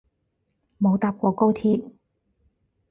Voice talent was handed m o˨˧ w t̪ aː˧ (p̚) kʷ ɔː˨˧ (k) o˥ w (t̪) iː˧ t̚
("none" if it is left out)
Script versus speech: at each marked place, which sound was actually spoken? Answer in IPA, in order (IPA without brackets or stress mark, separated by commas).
p̚, k, t̪ʰ